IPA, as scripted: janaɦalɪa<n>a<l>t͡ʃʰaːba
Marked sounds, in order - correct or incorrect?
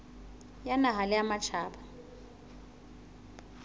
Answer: incorrect, incorrect

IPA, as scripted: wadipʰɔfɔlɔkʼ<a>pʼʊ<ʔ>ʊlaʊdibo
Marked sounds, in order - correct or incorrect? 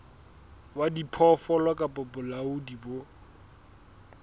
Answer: correct, incorrect

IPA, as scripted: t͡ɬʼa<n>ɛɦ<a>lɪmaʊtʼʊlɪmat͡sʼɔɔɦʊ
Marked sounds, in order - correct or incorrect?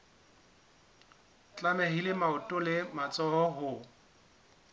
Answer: incorrect, incorrect

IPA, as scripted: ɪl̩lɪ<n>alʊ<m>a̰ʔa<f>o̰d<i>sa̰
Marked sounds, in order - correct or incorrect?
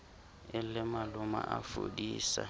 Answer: incorrect, correct, correct, incorrect

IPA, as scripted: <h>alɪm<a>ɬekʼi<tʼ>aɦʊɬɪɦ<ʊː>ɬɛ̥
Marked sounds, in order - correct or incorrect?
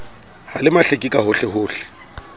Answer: correct, correct, incorrect, correct

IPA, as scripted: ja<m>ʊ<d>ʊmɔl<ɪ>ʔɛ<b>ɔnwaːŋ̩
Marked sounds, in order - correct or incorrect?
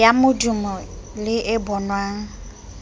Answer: correct, correct, correct, correct

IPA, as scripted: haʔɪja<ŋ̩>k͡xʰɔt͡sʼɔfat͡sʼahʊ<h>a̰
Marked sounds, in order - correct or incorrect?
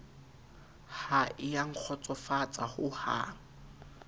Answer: correct, correct

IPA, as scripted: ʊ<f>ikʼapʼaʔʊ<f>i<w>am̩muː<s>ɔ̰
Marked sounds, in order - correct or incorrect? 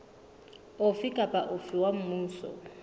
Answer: correct, correct, correct, correct

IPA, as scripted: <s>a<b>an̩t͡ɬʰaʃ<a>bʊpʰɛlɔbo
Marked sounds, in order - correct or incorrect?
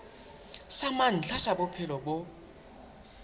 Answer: correct, incorrect, correct

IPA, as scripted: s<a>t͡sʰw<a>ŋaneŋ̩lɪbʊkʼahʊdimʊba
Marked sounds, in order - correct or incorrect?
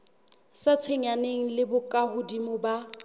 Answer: correct, incorrect

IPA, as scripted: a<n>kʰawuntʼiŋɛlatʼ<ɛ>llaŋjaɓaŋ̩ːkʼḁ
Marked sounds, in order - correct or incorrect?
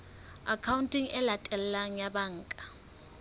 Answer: incorrect, correct

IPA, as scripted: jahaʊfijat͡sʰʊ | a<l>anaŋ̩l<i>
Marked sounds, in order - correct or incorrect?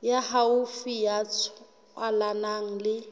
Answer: correct, incorrect

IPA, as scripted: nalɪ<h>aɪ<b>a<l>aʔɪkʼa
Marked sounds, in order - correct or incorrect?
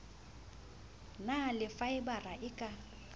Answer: incorrect, correct, incorrect

